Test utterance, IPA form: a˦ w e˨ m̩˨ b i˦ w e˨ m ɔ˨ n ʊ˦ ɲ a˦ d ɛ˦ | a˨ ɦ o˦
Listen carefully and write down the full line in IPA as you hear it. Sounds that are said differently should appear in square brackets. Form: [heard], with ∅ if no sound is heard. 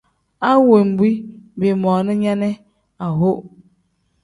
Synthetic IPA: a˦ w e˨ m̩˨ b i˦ [b] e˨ m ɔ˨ n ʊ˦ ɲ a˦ [n] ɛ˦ | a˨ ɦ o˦